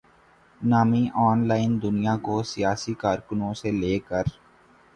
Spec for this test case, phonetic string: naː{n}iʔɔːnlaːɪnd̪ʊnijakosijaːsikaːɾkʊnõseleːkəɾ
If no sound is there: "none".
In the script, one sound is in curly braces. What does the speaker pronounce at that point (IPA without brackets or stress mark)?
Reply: m